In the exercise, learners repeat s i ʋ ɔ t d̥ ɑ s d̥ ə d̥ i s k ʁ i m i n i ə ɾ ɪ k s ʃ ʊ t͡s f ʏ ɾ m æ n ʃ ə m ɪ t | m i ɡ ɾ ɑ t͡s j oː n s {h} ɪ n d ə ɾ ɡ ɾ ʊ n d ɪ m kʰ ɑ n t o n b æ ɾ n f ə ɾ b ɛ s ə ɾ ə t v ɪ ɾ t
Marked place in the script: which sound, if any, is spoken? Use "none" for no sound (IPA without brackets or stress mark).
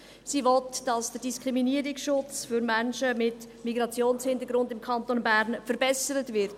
h